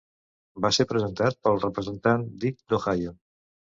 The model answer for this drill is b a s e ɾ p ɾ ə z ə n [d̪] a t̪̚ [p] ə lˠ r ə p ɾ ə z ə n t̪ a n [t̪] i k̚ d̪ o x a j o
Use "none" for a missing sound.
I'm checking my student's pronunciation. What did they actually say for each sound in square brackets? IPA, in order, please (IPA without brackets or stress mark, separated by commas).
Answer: t̪, p, d̪